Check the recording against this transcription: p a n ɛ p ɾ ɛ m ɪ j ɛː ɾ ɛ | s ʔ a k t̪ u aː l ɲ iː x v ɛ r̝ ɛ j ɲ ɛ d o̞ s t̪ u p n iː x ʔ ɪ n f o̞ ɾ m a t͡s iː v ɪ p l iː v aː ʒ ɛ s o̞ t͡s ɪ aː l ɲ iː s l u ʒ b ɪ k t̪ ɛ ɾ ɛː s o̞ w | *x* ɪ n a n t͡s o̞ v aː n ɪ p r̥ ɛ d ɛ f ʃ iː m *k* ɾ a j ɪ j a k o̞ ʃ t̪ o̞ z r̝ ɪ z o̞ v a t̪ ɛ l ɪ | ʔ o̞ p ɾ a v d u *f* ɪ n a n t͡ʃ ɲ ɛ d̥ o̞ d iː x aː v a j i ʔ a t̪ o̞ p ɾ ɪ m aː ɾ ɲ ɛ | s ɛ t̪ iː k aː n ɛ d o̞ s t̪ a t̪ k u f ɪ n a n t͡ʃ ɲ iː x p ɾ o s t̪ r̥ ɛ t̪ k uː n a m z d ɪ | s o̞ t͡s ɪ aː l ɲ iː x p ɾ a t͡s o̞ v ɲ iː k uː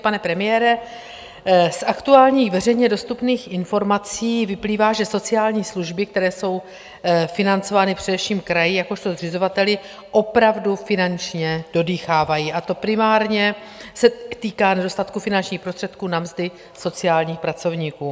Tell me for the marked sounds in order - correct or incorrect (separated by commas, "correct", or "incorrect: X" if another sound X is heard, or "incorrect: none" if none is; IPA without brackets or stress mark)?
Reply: incorrect: f, correct, correct